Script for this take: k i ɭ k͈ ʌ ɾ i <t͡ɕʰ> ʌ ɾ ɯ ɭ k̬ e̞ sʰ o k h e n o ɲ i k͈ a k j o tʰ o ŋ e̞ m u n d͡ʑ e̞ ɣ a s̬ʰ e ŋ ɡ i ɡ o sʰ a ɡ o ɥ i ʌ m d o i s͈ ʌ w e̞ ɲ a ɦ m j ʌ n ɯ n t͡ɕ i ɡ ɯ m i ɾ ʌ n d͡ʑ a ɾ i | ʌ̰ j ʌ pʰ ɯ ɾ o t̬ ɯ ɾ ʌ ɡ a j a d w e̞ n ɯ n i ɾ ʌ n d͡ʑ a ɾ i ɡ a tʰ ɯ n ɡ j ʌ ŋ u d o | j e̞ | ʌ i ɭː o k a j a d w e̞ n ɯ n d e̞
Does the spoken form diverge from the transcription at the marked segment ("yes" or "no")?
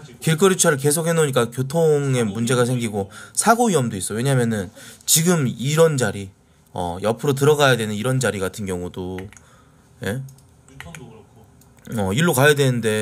no